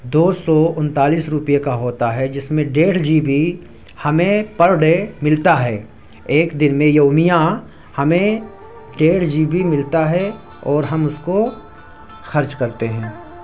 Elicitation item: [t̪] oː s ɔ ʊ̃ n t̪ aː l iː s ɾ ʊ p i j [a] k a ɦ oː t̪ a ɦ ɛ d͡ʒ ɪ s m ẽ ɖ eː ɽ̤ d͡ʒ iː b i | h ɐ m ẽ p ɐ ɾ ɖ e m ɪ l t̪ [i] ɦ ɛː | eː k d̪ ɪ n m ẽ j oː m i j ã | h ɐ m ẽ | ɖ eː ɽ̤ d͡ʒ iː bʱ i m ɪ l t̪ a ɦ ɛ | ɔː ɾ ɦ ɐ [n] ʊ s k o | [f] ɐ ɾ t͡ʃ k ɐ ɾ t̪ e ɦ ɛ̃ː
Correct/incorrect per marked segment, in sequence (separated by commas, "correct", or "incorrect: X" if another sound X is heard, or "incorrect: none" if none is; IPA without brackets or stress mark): incorrect: d̪, incorrect: e, incorrect: a, incorrect: m, incorrect: x